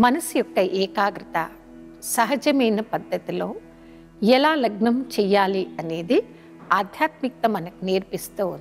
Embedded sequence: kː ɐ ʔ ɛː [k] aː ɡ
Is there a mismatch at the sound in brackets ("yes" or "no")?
no